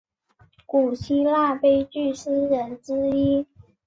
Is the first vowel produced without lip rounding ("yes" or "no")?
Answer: no